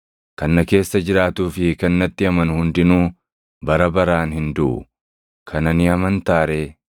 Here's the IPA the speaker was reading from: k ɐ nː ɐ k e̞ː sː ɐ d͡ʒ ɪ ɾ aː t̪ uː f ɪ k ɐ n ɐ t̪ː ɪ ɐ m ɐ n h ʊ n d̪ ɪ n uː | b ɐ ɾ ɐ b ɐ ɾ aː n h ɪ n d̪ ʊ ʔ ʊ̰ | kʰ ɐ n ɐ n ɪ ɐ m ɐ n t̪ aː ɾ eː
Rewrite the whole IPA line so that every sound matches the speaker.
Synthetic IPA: k ɐ nː ɐ k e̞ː sː ɐ d͡ʒ ɪ ɾ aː t̪ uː f ɪ k ɐ nː ɐ t̪ː ɪ ɐ m ɐ n h ʊ n d̪ ɪ n uː | b ɐ ɾ ɐ b ɐ ɾ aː n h ɪ n d̪ ʊ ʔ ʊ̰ | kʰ ɐ n ɐ n ɪ ɐ m ɐ n t̪ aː ɾ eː